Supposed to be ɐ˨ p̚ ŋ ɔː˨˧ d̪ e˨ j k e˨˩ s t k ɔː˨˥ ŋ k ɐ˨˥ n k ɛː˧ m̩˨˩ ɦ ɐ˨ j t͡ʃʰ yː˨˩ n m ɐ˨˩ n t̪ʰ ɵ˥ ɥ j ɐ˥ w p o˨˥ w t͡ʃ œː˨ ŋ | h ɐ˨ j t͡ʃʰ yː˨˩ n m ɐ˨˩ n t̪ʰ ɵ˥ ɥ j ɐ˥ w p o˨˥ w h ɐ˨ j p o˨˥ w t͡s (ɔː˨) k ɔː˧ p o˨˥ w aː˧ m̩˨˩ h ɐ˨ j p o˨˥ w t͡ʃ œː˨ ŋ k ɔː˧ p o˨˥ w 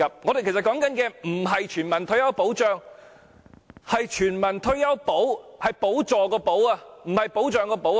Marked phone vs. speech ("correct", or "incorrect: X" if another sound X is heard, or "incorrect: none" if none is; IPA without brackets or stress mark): correct